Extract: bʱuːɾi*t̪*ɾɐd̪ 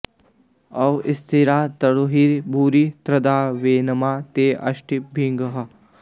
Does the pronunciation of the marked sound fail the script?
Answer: no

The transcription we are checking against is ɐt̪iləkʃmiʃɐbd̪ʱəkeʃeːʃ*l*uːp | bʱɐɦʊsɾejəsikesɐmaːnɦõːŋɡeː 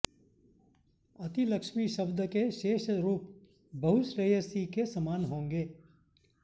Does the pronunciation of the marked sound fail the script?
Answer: yes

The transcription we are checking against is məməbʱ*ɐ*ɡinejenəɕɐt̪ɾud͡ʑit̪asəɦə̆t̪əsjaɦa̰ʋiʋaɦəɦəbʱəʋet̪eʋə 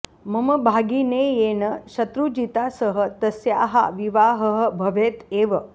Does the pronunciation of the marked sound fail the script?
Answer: yes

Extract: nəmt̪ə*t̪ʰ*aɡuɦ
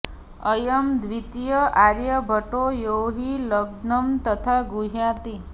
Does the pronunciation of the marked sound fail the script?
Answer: no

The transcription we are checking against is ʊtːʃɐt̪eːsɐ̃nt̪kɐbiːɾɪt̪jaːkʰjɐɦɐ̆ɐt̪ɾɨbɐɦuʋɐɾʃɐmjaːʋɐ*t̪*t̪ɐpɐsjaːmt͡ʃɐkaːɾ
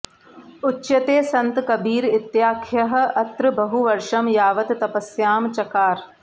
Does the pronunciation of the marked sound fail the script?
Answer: no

